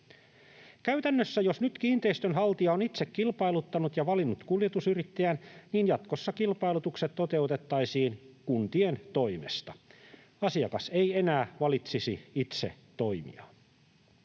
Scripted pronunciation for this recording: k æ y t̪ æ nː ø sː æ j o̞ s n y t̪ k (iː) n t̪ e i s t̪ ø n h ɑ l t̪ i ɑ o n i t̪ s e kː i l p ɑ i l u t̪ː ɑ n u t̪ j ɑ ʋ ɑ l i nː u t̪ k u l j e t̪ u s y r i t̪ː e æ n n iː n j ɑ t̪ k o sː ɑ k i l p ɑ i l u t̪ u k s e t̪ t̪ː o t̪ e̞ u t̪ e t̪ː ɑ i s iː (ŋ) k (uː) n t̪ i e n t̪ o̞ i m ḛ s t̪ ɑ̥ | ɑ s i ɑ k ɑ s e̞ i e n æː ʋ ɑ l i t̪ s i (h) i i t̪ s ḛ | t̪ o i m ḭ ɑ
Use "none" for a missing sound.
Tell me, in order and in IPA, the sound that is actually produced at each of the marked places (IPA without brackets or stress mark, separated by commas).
iː, n, u, s